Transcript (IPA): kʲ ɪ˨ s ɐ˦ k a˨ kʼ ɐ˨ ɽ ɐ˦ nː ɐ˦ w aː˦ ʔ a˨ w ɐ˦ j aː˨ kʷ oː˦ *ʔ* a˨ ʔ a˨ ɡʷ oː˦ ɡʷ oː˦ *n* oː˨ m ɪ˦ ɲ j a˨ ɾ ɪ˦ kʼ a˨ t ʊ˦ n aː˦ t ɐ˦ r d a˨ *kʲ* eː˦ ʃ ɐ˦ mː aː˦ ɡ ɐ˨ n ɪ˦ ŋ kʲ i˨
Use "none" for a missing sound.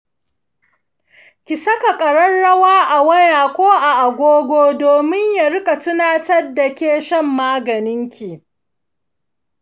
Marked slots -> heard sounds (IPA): ʔ, d, kʲ

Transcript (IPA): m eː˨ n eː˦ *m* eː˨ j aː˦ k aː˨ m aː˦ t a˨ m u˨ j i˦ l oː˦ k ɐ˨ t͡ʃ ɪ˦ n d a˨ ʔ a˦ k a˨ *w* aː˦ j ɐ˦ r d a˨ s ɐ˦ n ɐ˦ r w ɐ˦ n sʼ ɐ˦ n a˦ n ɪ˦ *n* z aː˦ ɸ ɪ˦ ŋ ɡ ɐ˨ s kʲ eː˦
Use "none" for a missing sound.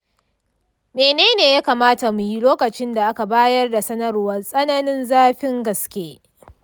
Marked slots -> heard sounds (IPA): n, b, n

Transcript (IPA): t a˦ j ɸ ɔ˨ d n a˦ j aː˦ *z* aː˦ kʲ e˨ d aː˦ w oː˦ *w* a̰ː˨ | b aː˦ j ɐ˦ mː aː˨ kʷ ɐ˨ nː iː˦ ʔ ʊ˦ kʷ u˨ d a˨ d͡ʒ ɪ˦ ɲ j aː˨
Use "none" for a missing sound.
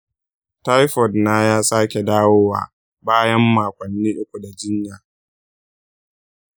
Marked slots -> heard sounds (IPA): s, w

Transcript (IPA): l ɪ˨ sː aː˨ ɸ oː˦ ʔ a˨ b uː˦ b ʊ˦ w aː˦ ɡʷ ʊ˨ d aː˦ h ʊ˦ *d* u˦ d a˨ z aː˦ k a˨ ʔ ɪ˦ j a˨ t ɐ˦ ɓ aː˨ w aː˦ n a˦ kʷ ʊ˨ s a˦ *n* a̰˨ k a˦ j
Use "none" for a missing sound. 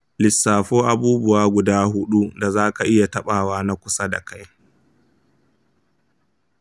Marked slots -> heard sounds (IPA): ɗ, d

